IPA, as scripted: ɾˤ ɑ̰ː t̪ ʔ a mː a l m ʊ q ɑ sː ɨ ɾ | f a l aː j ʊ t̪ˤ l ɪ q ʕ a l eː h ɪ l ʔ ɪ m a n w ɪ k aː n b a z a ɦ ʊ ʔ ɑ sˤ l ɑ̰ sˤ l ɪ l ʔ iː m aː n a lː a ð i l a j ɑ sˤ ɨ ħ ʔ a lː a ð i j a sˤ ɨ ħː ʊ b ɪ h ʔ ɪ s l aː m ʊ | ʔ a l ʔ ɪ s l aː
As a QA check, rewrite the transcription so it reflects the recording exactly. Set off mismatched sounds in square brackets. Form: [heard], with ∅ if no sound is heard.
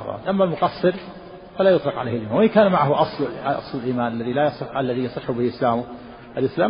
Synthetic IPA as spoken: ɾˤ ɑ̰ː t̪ ʔ a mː a l m ʊ q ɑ sː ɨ ɾ | f a l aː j ʊ t̪ˤ l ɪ q ʕ a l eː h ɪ l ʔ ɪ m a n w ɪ k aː n [m] a [ʕ] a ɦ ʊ ʔ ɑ sˤ l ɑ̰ sˤ l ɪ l ʔ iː m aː n a lː a ð i l a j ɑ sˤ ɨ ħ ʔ a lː a ð i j [ɑ] sˤ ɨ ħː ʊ b ɪ h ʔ ɪ s l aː m ʊ | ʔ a l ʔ ɪ s l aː